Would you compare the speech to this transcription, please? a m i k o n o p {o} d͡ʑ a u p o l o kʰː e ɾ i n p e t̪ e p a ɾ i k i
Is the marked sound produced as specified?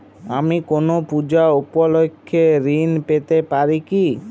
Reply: no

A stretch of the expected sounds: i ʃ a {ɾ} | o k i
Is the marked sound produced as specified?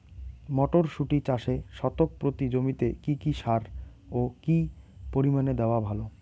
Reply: yes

